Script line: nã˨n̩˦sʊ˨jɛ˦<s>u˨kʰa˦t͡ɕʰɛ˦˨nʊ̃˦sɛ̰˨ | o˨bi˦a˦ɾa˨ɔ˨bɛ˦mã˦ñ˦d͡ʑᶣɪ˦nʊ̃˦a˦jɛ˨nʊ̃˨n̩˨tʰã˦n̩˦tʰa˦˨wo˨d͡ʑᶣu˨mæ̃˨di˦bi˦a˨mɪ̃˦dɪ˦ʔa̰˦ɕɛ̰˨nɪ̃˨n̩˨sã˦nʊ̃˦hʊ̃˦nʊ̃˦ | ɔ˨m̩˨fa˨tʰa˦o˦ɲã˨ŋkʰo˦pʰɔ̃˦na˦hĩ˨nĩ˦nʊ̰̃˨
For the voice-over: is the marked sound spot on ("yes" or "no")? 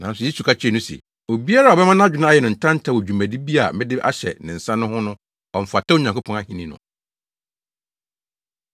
yes